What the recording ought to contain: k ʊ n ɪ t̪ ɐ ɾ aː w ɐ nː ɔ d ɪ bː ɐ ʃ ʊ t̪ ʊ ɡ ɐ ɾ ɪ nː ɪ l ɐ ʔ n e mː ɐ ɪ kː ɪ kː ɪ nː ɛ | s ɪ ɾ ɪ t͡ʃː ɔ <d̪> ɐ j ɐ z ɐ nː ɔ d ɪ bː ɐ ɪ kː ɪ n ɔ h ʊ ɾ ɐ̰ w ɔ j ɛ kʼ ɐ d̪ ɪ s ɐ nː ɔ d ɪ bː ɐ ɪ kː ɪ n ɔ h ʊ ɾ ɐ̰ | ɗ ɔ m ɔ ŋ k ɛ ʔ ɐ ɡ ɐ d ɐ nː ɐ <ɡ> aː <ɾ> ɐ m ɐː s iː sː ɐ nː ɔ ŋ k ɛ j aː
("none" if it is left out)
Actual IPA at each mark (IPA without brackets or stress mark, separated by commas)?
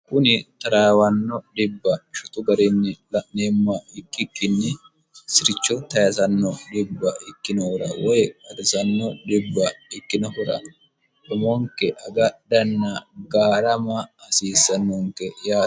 t̪, ɡ, ɾ